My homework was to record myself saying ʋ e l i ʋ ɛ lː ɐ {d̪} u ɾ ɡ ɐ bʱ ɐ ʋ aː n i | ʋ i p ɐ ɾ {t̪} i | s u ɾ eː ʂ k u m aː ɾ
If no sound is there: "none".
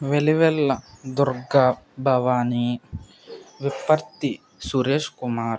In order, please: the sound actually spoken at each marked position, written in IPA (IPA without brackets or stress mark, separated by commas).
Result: d̪, t̪